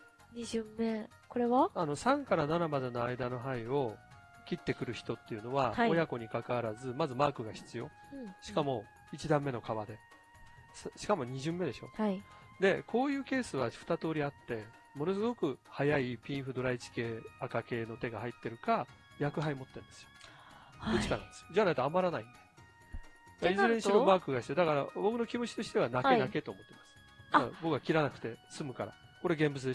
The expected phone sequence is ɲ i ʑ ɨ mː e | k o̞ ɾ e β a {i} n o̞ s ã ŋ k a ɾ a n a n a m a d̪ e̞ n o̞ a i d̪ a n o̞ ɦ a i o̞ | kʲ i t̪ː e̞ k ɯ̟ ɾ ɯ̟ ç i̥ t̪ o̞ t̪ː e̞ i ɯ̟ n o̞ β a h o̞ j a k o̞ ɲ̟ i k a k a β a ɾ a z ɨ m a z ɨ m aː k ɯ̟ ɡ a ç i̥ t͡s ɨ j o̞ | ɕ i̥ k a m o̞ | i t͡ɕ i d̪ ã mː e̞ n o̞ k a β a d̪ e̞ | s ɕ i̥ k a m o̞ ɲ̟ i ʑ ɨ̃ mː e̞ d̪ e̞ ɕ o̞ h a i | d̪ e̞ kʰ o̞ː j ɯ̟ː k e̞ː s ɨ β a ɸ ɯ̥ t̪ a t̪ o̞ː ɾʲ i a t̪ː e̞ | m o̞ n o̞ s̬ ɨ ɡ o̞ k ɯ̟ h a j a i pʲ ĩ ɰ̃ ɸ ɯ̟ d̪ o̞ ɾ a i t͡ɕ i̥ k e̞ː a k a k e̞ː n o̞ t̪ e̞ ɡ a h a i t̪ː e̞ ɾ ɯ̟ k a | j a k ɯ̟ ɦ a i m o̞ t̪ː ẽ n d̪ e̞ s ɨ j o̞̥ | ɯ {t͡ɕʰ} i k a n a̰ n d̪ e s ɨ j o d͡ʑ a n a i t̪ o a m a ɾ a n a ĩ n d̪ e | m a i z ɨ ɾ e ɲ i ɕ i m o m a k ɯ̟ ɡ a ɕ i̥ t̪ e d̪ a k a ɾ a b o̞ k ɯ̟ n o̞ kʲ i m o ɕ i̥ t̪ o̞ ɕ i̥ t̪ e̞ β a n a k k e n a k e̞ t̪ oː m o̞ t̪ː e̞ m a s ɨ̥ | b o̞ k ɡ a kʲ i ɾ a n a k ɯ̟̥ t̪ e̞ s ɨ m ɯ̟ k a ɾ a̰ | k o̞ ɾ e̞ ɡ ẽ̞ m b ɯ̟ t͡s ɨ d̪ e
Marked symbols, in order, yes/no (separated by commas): no, no